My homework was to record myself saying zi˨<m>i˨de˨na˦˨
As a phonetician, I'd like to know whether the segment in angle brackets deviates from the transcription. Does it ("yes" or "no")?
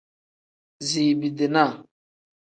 yes